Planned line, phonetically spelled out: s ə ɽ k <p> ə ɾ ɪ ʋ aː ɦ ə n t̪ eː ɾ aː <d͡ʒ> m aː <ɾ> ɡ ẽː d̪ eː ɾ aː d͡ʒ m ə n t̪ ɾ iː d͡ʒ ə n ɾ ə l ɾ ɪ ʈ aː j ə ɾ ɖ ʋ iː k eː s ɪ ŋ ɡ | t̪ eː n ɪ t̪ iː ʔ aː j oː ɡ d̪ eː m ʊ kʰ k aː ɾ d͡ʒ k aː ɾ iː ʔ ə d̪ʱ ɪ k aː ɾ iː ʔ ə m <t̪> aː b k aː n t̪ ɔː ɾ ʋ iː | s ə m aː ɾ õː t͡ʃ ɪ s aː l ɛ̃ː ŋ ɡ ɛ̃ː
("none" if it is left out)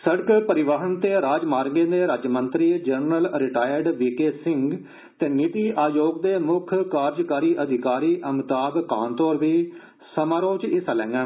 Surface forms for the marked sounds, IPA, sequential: p, d͡ʒ, ɾ, t̪

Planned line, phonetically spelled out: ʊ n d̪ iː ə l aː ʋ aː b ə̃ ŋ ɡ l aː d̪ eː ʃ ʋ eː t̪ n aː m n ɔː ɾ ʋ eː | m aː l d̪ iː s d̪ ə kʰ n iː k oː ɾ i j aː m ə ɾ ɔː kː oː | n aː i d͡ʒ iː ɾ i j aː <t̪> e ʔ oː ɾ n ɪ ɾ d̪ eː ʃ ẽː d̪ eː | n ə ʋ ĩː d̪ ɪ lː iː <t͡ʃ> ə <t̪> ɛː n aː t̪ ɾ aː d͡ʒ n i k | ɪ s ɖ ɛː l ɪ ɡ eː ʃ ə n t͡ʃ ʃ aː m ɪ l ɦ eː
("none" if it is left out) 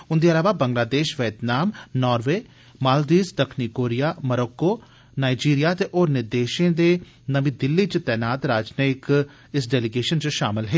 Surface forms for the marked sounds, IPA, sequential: t̪, t͡ʃ, t̪

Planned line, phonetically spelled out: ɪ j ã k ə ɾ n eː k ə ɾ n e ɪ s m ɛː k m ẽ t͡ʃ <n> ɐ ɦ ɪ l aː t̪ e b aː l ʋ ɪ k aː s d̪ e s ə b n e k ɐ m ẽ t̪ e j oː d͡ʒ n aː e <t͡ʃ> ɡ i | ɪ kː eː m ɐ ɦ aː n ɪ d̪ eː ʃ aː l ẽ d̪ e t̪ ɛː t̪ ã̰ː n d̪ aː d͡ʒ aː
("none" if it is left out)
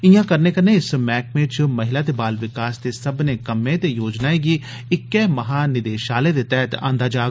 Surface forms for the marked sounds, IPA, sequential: m, none

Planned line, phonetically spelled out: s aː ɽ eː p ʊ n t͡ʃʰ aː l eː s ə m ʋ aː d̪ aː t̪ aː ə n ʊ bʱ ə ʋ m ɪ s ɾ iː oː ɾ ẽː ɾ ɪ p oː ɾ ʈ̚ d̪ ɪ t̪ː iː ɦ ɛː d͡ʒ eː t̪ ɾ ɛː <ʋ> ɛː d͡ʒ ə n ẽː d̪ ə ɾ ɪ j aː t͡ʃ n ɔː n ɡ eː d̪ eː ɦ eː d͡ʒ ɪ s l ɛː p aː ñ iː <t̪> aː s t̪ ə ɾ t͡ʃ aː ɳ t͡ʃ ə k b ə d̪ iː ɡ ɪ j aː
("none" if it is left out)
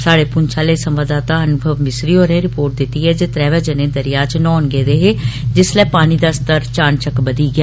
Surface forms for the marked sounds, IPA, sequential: ʋ, d̪

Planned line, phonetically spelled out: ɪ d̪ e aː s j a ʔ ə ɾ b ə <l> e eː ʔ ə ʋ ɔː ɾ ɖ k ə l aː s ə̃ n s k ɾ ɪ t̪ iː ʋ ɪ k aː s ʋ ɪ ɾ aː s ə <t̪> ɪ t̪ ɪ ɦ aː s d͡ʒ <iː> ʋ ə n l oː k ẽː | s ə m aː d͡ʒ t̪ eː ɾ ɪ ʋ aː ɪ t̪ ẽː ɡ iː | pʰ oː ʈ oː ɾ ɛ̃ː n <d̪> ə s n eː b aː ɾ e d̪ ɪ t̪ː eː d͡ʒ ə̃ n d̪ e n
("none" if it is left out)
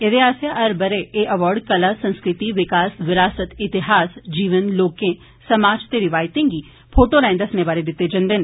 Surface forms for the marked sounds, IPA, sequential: ɾ, t̪, iː, d̪

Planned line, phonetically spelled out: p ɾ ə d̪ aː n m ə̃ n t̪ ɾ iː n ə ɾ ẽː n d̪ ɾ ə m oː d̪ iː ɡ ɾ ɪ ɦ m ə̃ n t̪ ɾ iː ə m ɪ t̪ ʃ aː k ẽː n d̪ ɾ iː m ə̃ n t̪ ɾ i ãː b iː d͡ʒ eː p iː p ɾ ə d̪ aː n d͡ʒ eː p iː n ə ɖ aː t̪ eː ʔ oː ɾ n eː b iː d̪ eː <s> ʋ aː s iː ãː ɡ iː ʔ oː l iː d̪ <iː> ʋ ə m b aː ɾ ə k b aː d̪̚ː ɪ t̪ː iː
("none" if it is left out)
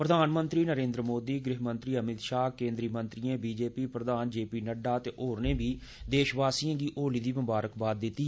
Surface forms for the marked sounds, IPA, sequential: ʃ, iː

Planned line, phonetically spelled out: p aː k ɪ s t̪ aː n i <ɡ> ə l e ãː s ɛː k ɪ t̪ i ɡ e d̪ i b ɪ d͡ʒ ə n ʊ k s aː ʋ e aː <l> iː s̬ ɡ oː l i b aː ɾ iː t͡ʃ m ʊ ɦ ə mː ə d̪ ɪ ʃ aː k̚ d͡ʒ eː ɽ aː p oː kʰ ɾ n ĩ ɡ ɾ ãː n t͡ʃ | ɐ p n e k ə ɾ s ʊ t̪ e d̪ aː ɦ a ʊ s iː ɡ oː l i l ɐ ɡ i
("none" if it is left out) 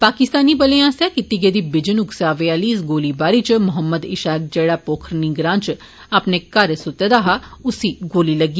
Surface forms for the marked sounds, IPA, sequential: b, l

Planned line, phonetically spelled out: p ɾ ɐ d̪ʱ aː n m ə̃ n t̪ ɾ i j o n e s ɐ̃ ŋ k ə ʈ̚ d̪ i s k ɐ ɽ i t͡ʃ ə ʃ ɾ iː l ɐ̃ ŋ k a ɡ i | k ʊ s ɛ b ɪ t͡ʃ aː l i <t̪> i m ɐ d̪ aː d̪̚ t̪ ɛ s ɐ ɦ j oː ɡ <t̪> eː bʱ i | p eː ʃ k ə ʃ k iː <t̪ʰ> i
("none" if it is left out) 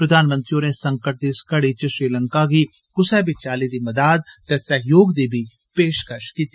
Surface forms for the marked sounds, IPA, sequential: d̪, d̪, t̪

